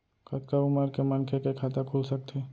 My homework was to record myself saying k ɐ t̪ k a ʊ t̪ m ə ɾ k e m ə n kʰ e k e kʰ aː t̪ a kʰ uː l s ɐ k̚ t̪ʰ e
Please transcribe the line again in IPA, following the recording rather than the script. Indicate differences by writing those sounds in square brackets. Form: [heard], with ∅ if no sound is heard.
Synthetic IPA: k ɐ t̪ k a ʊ [∅] m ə ɾ k e m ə n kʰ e k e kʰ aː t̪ a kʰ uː l s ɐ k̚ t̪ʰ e